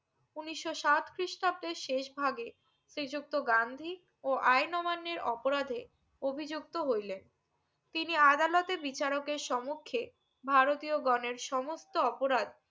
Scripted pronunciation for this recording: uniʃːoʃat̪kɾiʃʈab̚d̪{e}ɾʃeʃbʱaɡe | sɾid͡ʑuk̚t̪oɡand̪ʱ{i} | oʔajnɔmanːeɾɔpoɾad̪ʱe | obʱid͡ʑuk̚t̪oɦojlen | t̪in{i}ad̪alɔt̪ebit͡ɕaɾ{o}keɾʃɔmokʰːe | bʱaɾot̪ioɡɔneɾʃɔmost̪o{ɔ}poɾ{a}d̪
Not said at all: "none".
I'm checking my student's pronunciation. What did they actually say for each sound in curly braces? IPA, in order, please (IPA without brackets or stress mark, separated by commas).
e, i, i, o, ɔ, a